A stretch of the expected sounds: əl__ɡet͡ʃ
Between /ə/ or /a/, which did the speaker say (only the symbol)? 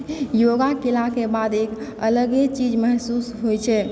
ə